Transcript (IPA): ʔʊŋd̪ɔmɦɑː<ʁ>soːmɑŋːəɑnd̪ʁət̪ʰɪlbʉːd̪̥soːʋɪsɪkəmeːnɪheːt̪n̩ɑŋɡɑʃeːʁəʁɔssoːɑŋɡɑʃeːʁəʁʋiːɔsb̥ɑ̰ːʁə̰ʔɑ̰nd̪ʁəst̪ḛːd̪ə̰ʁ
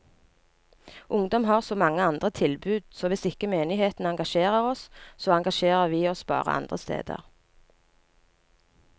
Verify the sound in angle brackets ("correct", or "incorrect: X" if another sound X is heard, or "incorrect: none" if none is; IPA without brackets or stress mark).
correct